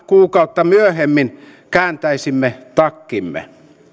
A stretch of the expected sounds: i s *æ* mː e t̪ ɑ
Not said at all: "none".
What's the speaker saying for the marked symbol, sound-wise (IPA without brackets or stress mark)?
i